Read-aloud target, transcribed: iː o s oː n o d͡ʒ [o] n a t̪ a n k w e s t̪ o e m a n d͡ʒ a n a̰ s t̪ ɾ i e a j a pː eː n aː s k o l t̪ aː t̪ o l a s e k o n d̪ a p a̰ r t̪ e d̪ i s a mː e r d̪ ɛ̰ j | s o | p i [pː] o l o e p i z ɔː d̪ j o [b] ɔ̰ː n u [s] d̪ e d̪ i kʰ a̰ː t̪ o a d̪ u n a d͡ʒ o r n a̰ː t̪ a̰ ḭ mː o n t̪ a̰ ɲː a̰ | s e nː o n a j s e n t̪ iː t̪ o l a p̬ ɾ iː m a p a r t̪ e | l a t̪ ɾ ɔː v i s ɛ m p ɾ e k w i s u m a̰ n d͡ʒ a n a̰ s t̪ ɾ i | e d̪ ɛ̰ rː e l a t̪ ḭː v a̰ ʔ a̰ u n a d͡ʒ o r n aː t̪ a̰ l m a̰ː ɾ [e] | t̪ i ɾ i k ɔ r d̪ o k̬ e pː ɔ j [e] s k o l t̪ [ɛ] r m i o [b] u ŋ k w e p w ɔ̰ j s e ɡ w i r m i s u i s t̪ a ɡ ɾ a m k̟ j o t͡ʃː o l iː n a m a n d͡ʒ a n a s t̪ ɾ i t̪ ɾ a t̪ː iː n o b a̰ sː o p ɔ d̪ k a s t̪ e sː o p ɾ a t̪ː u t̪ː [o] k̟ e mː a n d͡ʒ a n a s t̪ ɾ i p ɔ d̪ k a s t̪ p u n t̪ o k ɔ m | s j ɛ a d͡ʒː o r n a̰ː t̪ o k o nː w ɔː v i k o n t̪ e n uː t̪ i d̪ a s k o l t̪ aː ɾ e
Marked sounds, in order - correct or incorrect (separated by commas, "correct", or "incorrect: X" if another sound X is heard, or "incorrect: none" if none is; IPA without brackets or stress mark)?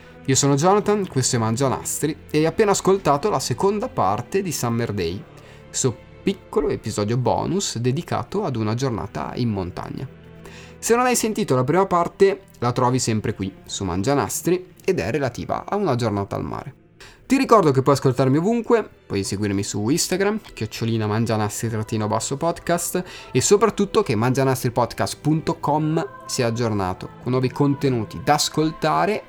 incorrect: ɔ, incorrect: kː, correct, correct, correct, incorrect: a, incorrect: a, incorrect: v, correct